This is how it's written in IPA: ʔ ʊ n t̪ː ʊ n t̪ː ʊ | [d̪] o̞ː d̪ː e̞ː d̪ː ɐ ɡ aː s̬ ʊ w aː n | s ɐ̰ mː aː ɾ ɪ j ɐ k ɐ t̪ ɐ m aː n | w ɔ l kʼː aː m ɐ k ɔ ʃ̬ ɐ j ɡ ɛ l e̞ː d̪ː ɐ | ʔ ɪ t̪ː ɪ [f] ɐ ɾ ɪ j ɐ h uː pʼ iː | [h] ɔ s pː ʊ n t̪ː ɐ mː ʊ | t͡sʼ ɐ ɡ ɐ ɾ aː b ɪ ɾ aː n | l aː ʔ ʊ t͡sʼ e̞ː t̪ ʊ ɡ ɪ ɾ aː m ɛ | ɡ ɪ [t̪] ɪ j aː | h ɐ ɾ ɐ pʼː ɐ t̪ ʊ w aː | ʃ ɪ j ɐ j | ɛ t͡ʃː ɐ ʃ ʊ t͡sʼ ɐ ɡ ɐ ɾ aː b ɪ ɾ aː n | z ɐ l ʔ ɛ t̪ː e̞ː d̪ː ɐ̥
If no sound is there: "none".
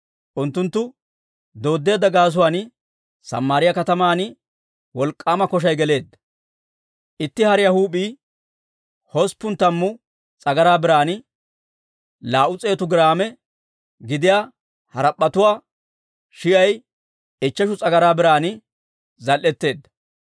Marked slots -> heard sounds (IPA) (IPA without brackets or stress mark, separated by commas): d̪, h, h, d̪